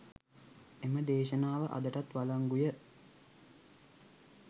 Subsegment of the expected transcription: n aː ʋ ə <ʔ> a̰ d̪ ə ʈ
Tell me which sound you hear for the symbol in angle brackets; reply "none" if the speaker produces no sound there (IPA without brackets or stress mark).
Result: ʔ